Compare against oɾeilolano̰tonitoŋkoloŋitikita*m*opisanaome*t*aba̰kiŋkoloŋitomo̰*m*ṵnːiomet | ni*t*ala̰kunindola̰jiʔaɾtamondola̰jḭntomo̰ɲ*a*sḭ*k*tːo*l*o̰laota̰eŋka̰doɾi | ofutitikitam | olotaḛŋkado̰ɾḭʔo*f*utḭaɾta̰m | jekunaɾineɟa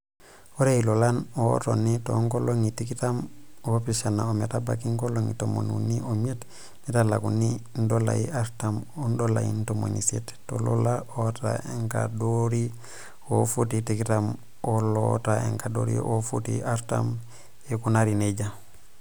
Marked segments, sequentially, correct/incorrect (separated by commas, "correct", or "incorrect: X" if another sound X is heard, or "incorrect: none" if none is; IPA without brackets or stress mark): correct, correct, incorrect: n, correct, incorrect: i, incorrect: t, correct, correct